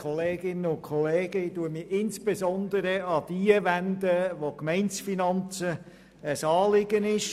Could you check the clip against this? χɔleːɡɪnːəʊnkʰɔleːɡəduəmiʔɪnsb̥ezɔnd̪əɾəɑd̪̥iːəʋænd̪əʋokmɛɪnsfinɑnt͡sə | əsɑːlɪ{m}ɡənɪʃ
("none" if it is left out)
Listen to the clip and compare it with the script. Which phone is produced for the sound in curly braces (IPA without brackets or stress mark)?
none